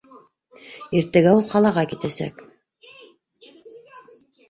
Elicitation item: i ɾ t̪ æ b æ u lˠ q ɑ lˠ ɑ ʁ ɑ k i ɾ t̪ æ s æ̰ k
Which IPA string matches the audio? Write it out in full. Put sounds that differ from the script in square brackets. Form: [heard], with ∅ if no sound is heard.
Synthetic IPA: i ɾ t̪ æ [ɡ] æ u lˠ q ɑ lˠ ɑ ʁ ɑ k i [∅] t̪ æ s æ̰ k

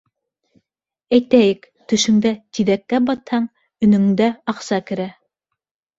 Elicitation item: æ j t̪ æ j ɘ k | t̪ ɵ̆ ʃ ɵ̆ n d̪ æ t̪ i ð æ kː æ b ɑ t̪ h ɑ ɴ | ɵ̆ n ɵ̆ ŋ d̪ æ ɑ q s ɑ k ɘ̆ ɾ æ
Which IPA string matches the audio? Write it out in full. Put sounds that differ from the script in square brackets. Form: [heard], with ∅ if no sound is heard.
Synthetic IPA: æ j t̪ æ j ɘ k | t̪ ɵ̆ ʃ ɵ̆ [ŋ] d̪ æ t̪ i ð æ kː æ b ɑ t̪ h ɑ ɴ | ɵ̆ n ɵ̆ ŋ d̪ æ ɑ q s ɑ k ɘ̆ ɾ æ

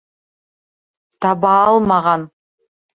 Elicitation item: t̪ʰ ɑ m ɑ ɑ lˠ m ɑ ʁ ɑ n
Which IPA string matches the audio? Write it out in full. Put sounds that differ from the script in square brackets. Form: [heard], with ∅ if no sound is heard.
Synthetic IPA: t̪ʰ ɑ [b] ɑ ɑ lˠ m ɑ ʁ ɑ n

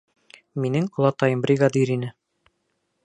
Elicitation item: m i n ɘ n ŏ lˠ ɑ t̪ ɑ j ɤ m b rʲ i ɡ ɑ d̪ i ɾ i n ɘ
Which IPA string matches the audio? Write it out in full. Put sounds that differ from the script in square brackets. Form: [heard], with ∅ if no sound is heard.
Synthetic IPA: m i n ɘ [ŋ] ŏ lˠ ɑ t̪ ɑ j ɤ m b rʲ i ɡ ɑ d̪ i ɾ i n ɘ

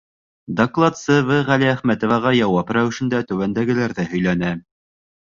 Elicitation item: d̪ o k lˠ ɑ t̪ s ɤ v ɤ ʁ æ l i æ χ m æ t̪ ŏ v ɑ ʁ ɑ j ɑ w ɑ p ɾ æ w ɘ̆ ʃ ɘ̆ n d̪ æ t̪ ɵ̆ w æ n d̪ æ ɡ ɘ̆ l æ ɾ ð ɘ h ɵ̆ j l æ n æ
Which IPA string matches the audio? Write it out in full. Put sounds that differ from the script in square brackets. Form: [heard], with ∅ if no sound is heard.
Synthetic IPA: d̪ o k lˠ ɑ t̪ s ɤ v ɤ ʁ æ l i æ χ m æ t̪ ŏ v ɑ ʁ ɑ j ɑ w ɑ p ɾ æ w ɘ̆ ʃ ɘ̆ n d̪ æ t̪ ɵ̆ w æ n d̪ æ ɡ ɘ̆ l æ ɾ ð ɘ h ɵ̆ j l æ n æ

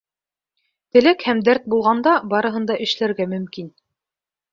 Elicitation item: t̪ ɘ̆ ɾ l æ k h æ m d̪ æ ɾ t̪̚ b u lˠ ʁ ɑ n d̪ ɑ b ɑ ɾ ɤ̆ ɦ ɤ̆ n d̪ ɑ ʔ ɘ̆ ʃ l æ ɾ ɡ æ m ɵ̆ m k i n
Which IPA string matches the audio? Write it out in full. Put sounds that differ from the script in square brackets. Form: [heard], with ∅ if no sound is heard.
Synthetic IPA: t̪ ɘ̆ [∅] l æ k h æ m d̪ æ ɾ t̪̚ b u lˠ ʁ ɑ n d̪ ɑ b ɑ ɾ ɤ̆ ɦ ɤ̆ n d̪ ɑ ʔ ɘ̆ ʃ l æ ɾ ɡ æ m ɵ̆ m k i n

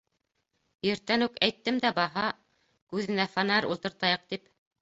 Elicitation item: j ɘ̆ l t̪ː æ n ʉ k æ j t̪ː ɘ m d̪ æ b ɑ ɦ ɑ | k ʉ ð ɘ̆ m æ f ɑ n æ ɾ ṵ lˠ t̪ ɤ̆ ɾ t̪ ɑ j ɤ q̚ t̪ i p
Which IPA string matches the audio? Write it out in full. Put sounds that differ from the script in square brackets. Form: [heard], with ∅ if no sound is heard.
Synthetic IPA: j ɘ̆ [ɾ] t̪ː æ n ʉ k æ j t̪ː ɘ m d̪ æ b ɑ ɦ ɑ | k ʉ ð ɘ̆ [n] æ f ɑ n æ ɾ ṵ lˠ t̪ ɤ̆ ɾ t̪ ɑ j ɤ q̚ t̪ i p

